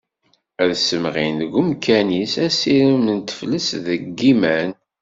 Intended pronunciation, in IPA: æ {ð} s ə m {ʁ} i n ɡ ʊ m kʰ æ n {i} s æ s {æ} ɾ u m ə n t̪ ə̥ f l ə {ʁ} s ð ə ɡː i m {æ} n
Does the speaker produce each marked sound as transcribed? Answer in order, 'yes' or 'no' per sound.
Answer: yes, yes, yes, no, no, yes

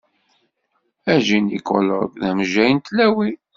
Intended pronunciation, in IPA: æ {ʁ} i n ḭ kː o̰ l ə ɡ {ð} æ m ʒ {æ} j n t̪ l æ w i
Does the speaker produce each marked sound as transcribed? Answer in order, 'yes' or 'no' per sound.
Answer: no, yes, yes

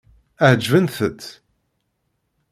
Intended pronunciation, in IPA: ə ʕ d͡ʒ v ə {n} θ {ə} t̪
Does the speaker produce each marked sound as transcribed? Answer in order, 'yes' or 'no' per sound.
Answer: yes, yes

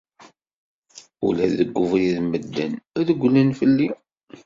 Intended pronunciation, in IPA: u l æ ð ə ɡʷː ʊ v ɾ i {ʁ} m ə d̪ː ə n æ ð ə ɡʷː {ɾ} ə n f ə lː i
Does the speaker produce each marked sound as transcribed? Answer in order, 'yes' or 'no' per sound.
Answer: no, no

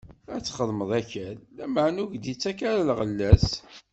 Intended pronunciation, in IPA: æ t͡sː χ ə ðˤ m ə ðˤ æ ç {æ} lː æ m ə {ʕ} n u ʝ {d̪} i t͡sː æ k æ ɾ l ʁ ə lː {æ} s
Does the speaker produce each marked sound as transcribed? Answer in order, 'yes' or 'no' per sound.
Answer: yes, yes, yes, yes

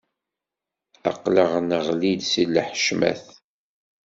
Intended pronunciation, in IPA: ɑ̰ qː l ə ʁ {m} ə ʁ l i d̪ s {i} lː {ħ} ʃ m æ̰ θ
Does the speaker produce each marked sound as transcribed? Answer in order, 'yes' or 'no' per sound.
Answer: no, yes, yes

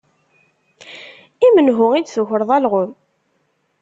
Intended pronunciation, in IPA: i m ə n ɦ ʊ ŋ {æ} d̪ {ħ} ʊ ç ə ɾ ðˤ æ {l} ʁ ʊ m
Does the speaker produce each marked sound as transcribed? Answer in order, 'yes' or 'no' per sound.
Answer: no, no, yes

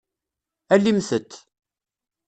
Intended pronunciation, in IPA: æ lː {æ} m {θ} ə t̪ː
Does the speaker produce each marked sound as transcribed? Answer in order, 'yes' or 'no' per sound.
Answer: no, yes

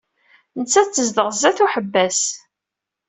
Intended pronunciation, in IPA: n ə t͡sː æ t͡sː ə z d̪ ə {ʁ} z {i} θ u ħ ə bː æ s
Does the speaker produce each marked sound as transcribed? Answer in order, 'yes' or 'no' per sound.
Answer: yes, no

